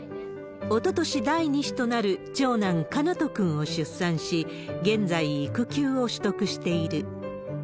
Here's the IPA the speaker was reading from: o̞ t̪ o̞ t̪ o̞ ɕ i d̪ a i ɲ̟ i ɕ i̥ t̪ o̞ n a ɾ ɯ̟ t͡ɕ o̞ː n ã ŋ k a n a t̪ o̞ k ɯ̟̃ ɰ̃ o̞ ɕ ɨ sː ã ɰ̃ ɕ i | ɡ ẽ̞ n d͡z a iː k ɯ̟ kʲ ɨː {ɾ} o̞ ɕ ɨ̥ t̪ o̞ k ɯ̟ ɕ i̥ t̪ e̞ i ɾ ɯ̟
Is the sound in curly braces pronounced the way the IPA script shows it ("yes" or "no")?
no